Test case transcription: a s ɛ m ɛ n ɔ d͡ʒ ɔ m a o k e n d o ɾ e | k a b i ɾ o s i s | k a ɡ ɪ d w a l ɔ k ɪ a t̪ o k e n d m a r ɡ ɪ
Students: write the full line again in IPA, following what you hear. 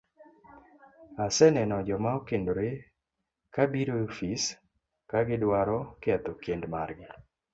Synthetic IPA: a s ɛ n ɛ n ɔ d͡ʒ ɔ m a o k e n d o ɾ e | k a b i ɾ o f i s | k a ɡ ɪ d w a ɾ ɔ k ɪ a t̪ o k e n d m a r ɡ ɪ